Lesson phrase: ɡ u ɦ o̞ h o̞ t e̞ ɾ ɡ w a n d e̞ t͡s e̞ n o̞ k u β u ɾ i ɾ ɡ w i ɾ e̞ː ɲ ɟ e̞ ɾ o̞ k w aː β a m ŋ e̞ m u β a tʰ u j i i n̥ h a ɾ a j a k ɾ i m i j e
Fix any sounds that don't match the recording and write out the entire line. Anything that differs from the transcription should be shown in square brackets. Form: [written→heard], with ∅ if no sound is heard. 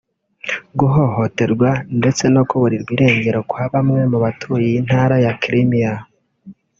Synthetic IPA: ɡ u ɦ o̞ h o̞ t e̞ ɾ ɡ w a n d e̞ t͡s e̞ n o̞ k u β u ɾ i ɾ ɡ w i ɾ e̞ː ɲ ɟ e̞ ɾ o̞ k w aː β a m ŋ e̞ m u β a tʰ u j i i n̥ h a ɾ a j a k ɾ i m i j [e→a]